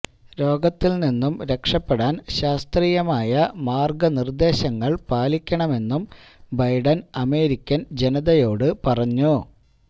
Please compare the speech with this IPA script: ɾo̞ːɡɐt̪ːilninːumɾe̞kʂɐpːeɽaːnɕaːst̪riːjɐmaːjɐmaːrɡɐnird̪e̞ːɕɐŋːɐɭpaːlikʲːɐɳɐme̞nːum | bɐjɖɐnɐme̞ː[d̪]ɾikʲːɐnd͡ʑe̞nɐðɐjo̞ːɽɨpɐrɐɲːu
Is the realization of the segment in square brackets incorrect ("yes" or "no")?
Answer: yes